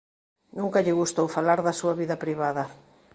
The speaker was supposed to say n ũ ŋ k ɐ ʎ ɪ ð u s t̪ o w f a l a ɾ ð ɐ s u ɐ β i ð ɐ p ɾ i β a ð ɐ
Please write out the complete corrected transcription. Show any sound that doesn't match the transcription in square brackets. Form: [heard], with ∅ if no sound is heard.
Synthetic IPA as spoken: n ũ ŋ k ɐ ʎ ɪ [ɣ] u s t̪ o w f a l a ɾ ð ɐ s u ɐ β i ð ɐ p ɾ i β a ð ɐ